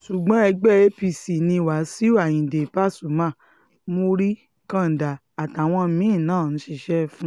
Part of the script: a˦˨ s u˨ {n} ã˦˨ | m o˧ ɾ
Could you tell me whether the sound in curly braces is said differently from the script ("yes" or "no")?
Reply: yes